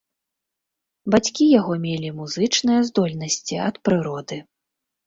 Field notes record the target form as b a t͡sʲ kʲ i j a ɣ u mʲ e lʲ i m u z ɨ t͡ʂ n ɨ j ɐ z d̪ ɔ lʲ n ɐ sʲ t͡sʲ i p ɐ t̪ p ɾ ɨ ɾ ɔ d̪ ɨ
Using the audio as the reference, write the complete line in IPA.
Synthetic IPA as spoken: b a t͡sʲ kʲ i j a ɣ ɔ mʲ e lʲ i m u z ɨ t͡ʂ n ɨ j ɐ z d̪ ɔ lʲ n ɐ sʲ t͡sʲ i ɐ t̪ p ɾ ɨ ɾ ɔ d̪ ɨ